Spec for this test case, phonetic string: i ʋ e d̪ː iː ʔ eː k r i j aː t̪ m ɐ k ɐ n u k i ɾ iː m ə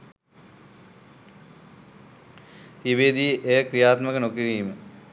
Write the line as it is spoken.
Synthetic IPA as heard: i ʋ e d̪ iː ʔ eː k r i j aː t̪ m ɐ k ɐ n o k i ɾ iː m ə